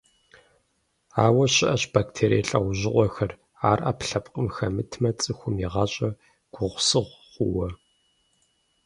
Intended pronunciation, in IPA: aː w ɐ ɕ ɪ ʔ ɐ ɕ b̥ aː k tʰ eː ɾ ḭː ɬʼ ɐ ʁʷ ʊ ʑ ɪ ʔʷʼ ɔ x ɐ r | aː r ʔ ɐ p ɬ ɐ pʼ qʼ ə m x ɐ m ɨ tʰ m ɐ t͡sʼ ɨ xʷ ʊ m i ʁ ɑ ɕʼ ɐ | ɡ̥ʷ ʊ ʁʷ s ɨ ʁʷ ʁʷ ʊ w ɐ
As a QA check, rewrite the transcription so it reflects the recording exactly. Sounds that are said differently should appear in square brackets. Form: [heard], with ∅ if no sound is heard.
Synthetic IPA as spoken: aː w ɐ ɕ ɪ ʔ ɐ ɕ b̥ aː k tʰ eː ɾ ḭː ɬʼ ɐ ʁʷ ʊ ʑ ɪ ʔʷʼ ɔ x ɐ r | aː r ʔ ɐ p ɬ ɐ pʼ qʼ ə m x ɐ m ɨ tʰ m ɐ t͡sʼ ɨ xʷ ʊ m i ʁ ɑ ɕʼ ɐ | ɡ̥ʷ ʊ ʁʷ s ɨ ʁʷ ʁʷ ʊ w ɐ